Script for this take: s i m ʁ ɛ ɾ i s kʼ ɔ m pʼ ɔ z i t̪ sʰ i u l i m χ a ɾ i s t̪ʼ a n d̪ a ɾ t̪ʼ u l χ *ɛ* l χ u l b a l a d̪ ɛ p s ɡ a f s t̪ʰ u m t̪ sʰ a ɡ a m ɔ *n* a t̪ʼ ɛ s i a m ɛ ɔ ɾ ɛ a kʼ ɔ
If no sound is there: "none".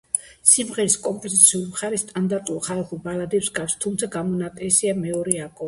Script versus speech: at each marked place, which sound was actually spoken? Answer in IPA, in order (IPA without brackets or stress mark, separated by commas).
a, n